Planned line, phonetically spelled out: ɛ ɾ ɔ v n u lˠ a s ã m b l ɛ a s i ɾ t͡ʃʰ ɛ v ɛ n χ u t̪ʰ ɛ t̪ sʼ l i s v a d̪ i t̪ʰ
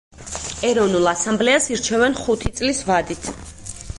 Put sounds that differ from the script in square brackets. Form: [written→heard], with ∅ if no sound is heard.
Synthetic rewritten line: ɛ ɾ ɔ v n u lˠ a s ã m b l ɛ a s i ɾ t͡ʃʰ ɛ v ɛ n χ u t̪ʰ [ɛ→i] t̪ sʼ l i s v a d̪ i t̪ʰ